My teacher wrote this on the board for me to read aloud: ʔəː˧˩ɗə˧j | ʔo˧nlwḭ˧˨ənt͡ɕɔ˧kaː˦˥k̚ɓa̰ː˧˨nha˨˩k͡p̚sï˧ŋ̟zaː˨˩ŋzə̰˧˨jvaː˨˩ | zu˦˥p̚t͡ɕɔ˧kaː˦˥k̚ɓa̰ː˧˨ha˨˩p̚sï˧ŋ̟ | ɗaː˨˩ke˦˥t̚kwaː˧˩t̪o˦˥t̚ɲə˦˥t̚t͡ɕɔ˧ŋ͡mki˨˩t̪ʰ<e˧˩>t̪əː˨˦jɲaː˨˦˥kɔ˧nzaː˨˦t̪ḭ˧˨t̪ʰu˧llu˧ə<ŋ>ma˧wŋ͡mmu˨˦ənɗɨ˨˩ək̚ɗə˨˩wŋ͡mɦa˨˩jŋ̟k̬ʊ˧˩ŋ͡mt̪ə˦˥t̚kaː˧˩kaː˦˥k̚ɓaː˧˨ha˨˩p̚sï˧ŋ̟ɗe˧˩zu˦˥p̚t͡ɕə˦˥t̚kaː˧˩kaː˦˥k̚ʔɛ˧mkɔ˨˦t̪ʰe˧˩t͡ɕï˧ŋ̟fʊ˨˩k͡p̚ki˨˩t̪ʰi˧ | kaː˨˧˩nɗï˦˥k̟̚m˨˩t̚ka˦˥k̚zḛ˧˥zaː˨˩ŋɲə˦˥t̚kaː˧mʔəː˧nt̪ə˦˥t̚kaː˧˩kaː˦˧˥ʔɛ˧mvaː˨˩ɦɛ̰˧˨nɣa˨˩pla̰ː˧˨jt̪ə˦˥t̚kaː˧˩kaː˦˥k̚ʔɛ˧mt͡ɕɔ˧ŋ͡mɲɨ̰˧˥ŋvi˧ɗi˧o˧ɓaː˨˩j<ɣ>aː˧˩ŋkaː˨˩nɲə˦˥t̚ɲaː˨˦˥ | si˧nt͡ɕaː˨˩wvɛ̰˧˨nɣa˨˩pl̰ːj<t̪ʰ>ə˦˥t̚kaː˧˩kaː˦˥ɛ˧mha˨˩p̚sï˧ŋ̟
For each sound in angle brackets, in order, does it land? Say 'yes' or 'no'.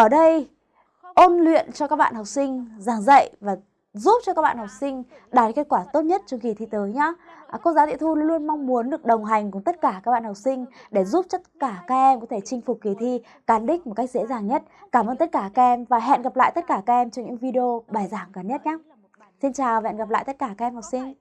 no, no, no, no

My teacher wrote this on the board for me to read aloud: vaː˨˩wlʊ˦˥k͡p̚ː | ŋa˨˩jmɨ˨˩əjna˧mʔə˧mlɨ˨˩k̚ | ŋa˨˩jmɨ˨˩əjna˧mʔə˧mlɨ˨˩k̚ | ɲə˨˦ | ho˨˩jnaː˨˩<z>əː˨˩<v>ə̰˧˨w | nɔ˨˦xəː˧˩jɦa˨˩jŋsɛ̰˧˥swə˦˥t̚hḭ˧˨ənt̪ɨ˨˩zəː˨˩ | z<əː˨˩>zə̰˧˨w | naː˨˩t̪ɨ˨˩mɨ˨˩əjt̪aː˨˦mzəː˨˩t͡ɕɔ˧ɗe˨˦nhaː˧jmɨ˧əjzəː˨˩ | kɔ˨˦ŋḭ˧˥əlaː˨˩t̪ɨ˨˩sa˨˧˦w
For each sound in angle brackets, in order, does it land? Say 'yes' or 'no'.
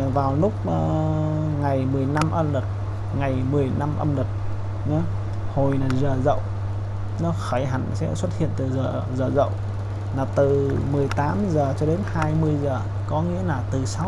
yes, no, yes

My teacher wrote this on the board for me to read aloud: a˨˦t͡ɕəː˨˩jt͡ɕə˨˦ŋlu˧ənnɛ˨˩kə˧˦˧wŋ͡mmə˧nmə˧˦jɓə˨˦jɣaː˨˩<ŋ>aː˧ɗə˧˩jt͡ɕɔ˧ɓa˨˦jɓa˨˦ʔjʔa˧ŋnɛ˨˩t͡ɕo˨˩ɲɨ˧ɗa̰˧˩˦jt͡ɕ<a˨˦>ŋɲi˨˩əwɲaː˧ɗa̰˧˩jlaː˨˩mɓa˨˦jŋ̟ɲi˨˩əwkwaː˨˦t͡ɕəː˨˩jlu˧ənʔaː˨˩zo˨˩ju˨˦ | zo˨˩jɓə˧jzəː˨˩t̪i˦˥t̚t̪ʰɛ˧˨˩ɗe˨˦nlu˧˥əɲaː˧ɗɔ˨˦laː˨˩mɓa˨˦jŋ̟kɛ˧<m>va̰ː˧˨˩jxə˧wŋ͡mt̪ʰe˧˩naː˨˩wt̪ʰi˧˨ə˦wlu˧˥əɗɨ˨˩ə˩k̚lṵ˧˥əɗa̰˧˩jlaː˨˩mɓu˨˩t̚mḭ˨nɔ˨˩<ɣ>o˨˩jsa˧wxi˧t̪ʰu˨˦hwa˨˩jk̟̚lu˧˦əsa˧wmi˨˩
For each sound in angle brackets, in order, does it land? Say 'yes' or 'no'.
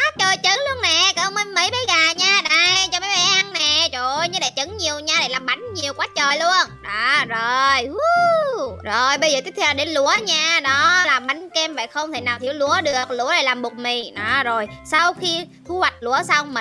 no, no, yes, no

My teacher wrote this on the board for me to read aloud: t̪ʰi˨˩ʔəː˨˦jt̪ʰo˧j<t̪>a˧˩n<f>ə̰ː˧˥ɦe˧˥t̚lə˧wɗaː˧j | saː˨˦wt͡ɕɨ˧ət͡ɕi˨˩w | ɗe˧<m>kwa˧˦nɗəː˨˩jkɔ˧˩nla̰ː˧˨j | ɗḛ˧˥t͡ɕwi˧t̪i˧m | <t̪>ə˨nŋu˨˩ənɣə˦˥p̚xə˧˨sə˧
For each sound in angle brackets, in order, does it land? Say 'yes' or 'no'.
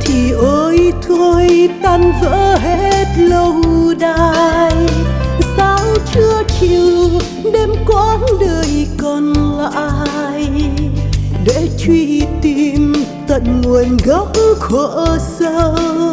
yes, no, yes, yes

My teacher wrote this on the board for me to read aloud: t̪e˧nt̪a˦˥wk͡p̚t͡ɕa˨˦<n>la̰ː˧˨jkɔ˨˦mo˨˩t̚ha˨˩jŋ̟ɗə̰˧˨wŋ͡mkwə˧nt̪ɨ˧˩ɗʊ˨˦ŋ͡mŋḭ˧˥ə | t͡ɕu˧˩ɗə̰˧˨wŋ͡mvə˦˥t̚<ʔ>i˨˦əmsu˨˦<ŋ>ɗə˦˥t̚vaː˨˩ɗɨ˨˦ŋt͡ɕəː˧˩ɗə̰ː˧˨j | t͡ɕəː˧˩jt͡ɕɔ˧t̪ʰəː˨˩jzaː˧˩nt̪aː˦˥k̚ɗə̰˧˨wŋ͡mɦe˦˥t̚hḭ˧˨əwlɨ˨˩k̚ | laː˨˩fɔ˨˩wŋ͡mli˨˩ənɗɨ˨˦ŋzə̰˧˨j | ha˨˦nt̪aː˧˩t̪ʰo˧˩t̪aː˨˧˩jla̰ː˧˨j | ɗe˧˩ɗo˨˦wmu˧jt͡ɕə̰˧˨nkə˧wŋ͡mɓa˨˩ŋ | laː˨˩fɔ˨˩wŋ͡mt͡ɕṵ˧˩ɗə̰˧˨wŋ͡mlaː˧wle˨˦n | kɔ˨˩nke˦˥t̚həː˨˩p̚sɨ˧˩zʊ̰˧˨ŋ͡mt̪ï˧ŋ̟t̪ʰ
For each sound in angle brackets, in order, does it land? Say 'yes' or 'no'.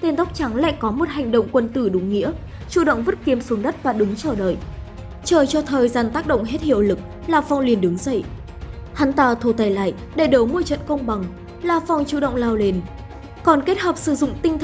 no, no, no

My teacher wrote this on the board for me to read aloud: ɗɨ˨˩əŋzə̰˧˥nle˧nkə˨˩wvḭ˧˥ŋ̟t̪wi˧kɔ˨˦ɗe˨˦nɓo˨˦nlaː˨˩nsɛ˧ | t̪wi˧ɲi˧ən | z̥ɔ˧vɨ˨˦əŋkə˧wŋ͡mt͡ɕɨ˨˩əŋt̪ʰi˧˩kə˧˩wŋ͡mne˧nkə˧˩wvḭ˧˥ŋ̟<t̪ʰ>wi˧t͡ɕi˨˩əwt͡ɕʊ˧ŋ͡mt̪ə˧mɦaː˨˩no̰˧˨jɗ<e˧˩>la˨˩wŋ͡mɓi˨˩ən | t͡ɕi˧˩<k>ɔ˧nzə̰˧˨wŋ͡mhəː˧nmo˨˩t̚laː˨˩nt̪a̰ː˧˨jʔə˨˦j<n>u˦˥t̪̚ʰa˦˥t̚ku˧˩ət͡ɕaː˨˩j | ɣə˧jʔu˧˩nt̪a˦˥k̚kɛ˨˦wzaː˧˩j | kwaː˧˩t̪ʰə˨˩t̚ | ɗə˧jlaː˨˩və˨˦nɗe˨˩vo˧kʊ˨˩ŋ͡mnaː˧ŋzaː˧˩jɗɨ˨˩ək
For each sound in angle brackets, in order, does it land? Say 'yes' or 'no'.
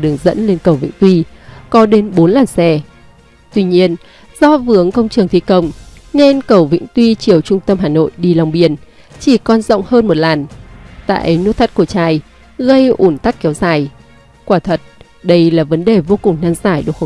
no, no, yes, yes

